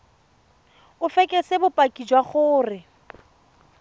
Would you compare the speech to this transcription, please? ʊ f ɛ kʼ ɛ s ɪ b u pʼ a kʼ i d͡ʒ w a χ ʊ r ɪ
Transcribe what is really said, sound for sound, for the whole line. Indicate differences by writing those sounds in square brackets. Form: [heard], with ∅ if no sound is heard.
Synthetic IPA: ʊ f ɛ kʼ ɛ s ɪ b [ʊ] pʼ a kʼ i d͡ʒ w a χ [ʊː] r ɪ